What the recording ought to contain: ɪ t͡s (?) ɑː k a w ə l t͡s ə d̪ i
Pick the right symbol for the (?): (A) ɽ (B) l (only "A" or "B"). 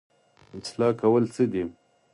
B